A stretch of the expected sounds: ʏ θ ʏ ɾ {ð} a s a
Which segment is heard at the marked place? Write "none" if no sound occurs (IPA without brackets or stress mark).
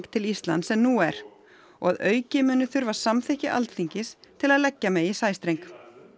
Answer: v